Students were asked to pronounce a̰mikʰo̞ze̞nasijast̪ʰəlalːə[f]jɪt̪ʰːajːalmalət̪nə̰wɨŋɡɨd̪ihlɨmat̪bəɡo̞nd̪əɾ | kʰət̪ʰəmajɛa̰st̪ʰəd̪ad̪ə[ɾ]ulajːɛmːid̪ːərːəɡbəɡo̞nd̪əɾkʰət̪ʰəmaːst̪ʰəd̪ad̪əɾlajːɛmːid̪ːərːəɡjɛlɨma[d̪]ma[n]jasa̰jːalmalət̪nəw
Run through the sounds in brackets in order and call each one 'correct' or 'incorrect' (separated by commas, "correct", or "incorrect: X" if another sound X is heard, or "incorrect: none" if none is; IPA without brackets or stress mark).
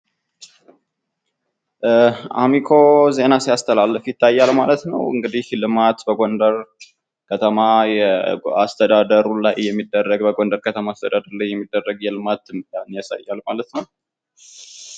correct, correct, incorrect: t̪, correct